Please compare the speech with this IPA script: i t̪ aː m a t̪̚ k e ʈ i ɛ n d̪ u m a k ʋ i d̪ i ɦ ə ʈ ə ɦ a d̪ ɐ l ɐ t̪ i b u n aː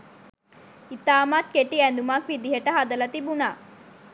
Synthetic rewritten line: i t̪ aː m a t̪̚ k e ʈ i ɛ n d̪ u m a k ʋ i d̪ i ɦ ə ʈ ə ɦ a d̪ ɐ l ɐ t̪ i b u n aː

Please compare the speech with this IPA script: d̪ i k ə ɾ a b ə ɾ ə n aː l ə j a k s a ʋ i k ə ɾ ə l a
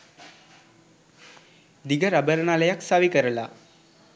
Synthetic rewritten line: d̪ i ɡ ə ɾ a b ə ɾ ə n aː l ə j a k s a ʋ i k ə ɾ ə l a

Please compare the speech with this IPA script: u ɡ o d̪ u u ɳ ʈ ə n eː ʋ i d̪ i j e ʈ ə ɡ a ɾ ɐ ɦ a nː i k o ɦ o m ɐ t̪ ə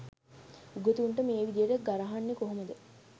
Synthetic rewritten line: u ɡ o t̪ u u ɳ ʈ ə m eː ʋ i d̪ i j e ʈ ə ɡ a ɾ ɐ ɦ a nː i k o ɦ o m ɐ d̪ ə

